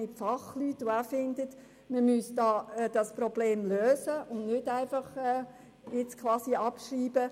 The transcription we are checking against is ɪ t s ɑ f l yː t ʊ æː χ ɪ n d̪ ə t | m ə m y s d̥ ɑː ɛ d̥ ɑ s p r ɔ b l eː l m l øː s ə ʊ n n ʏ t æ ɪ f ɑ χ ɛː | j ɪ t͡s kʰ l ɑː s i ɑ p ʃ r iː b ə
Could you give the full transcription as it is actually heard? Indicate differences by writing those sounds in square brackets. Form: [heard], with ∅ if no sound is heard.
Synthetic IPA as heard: ɪ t [f] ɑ [χ] l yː t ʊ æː [f] ɪ n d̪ ə t | m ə m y s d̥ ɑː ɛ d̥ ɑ s p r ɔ b l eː [∅] m l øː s ə ʊ n n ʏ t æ ɪ f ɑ χ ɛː | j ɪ t͡s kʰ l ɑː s i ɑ p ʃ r iː b ə